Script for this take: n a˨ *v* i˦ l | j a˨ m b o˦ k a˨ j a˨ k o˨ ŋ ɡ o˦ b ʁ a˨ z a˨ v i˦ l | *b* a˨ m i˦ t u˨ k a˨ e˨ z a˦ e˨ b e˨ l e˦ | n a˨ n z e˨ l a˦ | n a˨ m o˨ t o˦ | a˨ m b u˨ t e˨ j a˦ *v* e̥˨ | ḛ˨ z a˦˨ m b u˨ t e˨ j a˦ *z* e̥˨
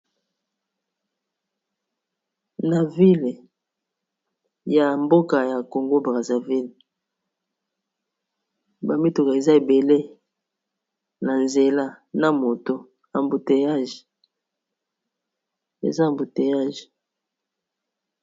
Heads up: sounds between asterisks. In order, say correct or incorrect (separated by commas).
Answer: correct, correct, incorrect, incorrect